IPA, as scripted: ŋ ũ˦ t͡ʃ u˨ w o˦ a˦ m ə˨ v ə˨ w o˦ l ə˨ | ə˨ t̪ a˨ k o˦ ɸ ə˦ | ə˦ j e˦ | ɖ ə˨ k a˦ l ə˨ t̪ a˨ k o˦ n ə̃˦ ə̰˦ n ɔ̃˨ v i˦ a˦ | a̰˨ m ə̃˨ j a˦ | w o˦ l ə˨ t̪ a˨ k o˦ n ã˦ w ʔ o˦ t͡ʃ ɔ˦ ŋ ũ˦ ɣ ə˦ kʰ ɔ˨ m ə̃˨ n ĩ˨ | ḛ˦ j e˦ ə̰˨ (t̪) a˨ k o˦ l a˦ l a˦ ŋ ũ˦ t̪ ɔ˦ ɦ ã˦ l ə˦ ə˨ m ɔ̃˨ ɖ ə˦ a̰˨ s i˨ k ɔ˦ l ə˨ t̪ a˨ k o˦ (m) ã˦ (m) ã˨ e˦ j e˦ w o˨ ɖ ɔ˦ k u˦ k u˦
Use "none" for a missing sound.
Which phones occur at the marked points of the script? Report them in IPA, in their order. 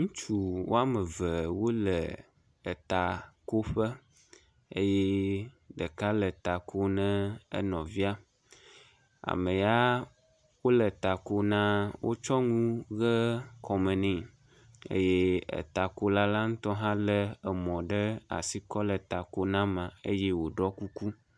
t̪, n, m

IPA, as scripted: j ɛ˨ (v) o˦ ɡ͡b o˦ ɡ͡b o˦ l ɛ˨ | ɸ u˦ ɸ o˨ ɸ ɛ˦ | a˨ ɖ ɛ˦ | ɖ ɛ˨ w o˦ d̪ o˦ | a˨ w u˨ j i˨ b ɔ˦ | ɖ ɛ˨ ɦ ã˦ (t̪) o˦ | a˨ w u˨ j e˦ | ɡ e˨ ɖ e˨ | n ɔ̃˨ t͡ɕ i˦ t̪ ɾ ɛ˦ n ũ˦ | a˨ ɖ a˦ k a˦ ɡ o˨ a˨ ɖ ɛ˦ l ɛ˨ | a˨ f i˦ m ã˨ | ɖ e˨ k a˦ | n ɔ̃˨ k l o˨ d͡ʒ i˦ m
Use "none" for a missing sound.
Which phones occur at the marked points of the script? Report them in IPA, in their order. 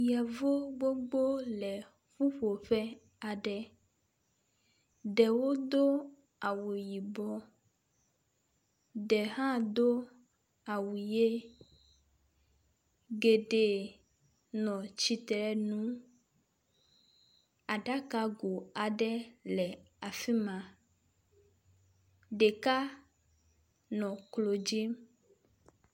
v, d̪

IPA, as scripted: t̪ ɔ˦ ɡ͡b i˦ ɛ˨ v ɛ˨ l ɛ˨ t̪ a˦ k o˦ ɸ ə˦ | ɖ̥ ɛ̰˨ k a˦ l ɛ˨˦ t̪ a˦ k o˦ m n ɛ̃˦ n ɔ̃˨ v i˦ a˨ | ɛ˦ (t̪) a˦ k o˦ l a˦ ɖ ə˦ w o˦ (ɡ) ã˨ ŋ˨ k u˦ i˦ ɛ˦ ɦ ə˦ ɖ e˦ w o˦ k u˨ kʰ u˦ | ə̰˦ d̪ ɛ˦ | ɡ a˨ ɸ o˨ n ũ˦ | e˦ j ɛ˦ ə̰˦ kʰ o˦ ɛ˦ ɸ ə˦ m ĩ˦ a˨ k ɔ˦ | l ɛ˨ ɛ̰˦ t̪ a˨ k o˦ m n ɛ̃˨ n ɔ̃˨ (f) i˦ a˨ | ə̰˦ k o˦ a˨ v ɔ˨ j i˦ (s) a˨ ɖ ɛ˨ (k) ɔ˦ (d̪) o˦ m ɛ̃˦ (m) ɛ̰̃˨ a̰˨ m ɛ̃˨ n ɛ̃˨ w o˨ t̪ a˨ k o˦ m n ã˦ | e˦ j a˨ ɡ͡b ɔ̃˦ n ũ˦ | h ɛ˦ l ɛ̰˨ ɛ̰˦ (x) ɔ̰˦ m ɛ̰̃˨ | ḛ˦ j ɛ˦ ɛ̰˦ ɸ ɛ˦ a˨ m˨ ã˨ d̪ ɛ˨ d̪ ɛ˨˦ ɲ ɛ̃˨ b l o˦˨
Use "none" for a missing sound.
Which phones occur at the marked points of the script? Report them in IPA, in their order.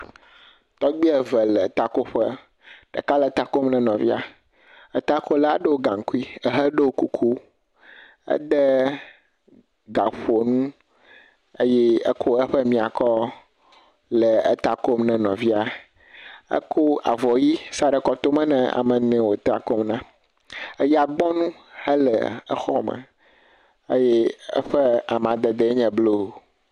t̪, ɡ, v, s, k, t̪, n, x

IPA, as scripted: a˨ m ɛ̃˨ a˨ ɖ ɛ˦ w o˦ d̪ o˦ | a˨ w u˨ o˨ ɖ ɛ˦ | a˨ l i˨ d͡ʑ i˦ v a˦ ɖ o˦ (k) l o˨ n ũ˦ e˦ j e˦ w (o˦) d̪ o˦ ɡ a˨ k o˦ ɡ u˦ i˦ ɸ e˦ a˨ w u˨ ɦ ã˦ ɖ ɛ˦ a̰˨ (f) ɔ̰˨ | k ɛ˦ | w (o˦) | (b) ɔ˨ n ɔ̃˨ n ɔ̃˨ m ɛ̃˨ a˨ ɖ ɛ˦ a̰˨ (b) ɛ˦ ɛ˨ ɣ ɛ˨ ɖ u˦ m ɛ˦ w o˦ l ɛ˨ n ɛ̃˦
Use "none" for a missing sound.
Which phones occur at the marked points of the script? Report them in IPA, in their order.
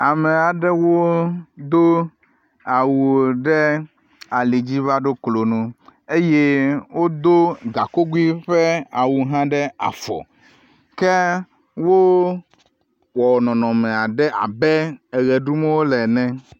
k, o˦, f, o˦, w, b

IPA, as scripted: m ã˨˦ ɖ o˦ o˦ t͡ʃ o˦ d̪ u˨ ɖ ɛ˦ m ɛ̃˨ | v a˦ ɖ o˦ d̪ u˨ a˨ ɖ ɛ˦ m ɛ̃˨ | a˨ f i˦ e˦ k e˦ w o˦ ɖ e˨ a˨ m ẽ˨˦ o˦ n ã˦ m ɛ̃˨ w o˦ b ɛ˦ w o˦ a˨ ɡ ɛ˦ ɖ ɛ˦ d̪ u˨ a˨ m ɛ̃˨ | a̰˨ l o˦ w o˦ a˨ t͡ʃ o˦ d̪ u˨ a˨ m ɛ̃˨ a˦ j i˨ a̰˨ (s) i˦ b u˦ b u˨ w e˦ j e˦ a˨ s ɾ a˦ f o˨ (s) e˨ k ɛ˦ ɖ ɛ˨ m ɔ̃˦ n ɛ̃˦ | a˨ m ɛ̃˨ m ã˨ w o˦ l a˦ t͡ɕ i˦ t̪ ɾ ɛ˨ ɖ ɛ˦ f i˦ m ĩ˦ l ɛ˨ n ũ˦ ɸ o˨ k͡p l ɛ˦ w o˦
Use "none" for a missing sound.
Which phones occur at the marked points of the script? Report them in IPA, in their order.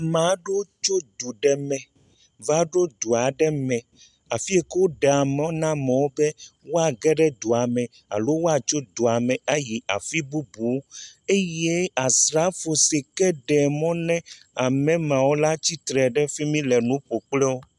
f, s

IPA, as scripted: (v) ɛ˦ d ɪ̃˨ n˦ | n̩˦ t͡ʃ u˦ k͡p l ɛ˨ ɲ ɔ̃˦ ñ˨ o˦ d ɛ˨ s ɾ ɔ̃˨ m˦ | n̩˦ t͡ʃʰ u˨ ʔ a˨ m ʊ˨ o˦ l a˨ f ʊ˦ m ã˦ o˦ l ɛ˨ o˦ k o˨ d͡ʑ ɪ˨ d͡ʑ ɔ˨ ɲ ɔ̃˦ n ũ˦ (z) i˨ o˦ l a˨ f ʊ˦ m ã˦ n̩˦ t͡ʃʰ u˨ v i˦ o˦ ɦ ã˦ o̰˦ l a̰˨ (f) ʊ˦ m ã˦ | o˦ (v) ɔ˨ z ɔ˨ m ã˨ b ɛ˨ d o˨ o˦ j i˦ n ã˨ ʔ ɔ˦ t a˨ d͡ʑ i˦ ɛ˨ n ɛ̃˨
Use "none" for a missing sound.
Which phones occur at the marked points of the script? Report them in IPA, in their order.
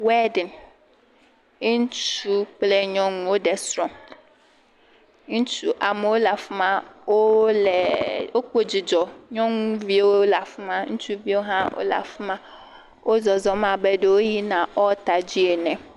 w, v, f, z

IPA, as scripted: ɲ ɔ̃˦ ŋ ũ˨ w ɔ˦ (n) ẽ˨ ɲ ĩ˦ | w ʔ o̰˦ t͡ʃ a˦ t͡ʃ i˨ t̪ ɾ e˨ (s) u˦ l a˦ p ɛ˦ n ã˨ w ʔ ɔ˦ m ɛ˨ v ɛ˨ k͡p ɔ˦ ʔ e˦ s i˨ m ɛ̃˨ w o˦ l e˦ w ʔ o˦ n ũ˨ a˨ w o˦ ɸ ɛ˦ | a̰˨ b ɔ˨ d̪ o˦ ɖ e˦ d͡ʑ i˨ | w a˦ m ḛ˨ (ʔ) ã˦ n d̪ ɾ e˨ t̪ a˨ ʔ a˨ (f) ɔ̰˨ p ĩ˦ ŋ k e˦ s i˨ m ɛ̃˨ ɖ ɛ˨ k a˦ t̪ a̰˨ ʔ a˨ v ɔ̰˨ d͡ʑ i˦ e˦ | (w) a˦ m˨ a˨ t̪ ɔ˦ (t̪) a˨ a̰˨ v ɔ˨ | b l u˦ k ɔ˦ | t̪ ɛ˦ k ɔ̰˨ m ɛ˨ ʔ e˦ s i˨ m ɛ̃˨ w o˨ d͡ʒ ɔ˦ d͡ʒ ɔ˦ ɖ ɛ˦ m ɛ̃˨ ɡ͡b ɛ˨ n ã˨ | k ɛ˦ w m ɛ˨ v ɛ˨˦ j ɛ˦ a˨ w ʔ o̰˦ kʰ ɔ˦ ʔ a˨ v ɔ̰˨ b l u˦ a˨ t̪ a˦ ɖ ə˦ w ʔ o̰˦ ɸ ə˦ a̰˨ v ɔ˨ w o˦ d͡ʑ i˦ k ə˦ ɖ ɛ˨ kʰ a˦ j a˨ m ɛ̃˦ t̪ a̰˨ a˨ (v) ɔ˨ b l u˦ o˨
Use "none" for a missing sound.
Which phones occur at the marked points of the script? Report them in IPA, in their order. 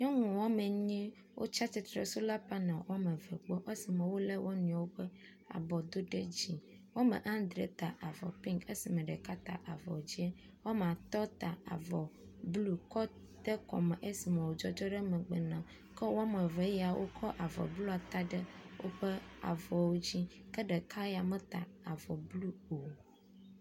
m, s, ʔ, v, w, t̪, v

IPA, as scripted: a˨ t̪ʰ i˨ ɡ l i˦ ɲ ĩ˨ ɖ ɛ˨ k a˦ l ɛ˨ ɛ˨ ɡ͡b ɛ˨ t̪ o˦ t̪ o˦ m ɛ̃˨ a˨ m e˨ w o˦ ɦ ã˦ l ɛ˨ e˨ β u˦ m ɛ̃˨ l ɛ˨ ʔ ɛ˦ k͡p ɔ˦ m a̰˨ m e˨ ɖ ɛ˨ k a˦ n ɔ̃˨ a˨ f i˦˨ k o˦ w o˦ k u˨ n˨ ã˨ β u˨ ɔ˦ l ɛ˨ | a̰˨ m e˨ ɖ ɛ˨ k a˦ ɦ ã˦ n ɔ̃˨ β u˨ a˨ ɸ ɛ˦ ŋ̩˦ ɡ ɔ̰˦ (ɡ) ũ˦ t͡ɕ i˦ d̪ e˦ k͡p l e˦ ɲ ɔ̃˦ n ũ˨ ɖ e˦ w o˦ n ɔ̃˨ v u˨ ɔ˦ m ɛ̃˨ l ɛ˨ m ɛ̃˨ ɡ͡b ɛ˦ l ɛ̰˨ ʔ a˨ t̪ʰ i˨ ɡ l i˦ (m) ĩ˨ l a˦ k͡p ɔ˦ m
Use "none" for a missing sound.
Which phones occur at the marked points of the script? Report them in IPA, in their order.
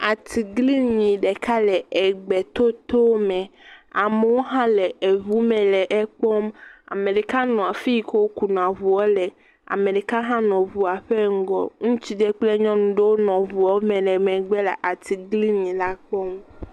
ŋ, ɲ

